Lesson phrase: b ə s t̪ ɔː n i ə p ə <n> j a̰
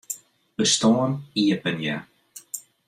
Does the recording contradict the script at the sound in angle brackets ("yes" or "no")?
no